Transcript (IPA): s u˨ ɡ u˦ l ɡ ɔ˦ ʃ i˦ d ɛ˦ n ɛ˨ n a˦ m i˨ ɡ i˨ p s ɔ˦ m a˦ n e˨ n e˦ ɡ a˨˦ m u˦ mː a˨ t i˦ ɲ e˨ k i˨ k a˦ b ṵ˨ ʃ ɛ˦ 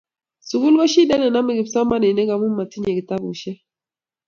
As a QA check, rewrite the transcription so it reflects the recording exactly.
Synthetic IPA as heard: s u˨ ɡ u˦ l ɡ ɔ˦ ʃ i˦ d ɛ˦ n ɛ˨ n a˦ m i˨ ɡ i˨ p s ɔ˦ m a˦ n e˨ n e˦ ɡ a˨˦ m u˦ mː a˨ t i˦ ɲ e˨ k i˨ t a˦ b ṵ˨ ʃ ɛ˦